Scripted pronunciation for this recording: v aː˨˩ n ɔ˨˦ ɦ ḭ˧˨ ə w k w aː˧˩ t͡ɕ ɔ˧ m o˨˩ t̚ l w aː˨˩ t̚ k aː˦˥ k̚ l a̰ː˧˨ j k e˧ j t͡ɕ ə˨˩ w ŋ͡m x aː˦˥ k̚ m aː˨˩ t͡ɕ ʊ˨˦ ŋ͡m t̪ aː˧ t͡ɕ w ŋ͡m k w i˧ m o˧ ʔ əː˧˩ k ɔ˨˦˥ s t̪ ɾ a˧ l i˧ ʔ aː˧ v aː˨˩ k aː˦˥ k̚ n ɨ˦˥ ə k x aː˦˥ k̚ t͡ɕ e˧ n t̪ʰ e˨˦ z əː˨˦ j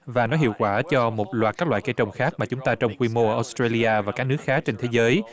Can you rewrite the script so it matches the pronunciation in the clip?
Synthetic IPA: v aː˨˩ n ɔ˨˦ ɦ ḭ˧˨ ə w k w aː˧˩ t͡ɕ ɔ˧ m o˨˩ t̚ l w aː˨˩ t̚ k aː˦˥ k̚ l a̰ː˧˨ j k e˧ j t͡ɕ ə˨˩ w ŋ͡m x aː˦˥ k̚ m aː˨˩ t͡ɕ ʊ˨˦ ŋ͡m t̪ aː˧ t͡ɕ w ŋ͡m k w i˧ m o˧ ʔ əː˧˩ ʔ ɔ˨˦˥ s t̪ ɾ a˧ l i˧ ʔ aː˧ v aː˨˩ k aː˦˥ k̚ n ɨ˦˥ ə k x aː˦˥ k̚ t͡ɕ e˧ n t̪ʰ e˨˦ z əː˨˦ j